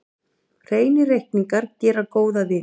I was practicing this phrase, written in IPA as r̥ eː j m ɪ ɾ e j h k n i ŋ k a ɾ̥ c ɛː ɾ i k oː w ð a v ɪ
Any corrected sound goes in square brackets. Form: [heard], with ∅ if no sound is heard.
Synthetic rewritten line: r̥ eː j [n] ɪ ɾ e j h k n i ŋ k a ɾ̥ c ɛː ɾ [a] k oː w ð a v ɪ